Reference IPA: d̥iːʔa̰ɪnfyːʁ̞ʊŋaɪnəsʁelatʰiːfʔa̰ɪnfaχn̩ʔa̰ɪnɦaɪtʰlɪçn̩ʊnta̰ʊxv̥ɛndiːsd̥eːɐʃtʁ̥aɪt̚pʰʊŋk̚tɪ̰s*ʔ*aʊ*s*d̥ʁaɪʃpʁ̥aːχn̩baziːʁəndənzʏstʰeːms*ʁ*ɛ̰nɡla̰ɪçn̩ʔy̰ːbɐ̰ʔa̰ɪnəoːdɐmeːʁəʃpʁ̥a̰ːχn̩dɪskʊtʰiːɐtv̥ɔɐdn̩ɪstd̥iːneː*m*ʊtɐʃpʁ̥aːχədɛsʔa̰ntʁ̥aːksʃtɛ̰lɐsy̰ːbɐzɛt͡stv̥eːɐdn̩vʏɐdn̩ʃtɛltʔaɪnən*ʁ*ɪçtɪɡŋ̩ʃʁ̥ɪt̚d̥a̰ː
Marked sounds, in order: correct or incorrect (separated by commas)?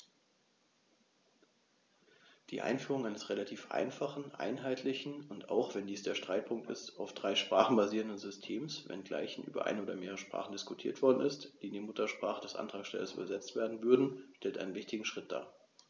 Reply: incorrect, incorrect, incorrect, correct, incorrect